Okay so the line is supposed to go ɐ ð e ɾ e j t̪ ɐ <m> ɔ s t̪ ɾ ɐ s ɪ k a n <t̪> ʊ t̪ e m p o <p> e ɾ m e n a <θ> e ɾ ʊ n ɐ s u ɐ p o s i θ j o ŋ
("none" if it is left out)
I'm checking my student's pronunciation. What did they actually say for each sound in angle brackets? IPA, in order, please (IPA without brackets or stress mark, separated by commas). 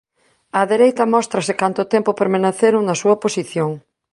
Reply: m, t̪, p, θ